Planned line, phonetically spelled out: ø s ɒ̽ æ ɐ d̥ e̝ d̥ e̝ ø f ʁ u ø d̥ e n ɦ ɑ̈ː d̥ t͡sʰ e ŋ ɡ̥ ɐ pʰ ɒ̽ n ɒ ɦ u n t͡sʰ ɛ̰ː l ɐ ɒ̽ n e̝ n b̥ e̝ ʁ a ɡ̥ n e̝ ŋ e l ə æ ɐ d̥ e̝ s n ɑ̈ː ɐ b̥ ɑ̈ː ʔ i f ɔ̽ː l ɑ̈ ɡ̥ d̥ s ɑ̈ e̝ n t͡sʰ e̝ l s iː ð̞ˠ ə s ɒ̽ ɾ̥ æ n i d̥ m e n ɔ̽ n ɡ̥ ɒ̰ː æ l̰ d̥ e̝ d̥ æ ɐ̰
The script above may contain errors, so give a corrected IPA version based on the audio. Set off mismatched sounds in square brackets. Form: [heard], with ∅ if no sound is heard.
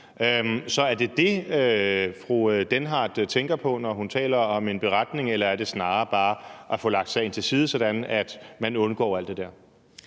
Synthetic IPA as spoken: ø s ɒ̽ æ ɐ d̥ e̝ d̥ e̝ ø f ʁ u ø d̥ e n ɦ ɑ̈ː d̥ t͡sʰ e ŋ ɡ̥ ɐ pʰ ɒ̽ n ɒ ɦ u n t͡sʰ ɛ̰ː l ɐ ɒ̽ [m] e̝ n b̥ e̝ ʁ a [d̥] n e̝ ŋ e l [ɐ] æ ɐ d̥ e̝ s n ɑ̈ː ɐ b̥ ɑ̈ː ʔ [æ] f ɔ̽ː l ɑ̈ ɡ̥ d̥ s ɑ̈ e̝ n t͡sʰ e̝ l s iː ð̞ˠ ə s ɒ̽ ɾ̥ æ n [æ] d̥ m [æ] n ɔ̽ n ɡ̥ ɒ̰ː æ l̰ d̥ e̝ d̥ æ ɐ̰